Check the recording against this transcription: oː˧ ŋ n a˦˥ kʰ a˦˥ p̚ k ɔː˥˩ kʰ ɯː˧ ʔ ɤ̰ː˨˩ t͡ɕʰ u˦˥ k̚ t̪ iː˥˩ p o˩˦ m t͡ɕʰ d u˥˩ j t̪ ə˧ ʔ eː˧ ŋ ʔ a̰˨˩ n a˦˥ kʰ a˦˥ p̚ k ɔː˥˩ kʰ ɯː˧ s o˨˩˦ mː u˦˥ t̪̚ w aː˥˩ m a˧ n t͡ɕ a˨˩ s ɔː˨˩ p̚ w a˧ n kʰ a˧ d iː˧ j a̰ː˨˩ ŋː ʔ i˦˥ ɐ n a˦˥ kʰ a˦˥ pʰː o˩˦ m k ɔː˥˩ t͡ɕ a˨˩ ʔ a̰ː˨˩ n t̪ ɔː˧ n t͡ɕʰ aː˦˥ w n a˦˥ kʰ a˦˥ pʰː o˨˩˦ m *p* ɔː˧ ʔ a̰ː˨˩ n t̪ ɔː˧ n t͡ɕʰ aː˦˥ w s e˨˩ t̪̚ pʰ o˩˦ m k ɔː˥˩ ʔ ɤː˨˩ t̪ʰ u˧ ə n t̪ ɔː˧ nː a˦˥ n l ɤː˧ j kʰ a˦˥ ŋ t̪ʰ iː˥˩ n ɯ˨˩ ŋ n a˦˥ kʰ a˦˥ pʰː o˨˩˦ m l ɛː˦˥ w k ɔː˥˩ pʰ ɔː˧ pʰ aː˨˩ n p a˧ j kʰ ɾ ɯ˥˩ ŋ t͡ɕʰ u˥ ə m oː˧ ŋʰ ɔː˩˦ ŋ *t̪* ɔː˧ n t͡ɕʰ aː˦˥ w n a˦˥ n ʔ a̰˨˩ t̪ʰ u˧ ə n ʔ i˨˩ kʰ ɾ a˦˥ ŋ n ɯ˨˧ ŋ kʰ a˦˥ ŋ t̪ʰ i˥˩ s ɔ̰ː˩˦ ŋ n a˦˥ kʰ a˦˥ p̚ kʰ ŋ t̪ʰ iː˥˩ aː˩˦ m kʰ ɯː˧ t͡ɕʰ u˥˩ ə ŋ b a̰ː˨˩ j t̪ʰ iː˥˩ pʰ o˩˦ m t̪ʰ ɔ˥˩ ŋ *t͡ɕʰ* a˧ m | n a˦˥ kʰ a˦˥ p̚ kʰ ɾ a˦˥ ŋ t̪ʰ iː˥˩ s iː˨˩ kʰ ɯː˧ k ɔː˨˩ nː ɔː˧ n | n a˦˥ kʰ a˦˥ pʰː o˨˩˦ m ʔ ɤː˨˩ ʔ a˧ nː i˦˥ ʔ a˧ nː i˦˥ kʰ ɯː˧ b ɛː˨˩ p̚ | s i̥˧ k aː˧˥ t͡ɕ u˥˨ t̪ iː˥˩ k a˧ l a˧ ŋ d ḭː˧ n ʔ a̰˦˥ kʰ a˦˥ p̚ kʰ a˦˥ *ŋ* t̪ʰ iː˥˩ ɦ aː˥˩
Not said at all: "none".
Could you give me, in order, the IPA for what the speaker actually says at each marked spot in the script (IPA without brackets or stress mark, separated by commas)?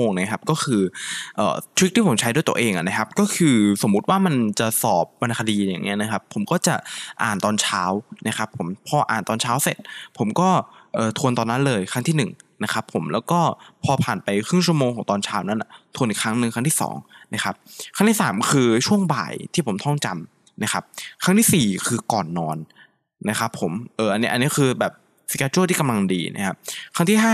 pʰ, t̪, t͡ɕ, ŋ